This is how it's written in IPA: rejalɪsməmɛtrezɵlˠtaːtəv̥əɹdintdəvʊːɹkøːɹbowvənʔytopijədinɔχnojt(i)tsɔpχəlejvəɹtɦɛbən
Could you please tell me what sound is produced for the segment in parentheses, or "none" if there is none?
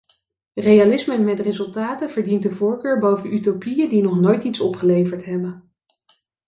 i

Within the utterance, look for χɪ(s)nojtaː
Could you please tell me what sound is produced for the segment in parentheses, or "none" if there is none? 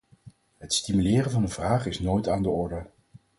s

